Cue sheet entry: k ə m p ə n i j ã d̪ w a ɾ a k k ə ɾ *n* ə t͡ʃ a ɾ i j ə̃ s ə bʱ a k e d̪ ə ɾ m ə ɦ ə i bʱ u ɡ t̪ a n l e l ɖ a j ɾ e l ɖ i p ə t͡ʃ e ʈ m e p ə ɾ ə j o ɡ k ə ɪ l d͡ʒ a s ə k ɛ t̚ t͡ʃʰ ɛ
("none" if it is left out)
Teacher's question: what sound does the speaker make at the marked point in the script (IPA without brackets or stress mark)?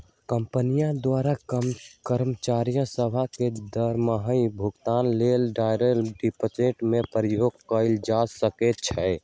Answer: m